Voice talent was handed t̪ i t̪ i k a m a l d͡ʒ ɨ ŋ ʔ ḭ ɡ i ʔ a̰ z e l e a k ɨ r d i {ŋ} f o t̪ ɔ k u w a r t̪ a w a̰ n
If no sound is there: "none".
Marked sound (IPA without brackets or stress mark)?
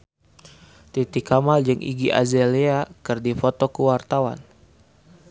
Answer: none